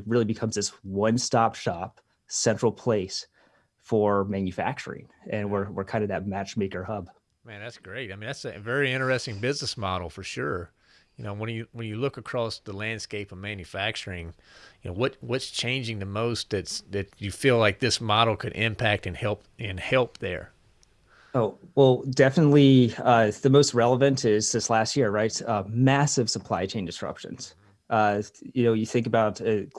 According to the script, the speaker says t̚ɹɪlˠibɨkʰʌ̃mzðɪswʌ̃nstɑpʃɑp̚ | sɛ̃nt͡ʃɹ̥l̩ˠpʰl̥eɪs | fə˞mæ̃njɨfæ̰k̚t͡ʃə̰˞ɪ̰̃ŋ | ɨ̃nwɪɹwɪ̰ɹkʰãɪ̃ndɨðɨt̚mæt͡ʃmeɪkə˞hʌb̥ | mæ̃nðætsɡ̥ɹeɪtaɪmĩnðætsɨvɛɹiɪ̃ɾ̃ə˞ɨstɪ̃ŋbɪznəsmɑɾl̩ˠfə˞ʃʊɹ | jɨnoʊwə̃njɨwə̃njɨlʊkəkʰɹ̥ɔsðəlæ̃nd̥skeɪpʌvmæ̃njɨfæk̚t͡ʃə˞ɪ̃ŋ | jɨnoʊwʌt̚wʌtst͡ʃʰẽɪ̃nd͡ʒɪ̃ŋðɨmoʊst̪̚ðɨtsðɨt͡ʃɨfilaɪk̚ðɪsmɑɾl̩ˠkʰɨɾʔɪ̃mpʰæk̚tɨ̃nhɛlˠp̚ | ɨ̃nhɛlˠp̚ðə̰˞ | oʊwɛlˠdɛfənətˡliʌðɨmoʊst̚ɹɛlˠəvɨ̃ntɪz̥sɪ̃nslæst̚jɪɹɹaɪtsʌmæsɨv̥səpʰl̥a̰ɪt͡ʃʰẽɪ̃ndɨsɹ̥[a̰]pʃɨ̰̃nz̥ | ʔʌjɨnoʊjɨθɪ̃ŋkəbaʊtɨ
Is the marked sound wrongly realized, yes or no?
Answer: yes